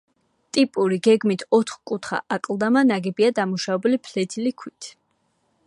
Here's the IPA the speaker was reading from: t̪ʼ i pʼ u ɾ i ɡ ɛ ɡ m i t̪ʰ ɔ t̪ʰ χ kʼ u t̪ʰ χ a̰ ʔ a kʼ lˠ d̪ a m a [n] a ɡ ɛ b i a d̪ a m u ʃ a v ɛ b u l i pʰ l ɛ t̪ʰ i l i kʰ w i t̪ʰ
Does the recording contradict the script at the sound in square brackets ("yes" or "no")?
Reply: no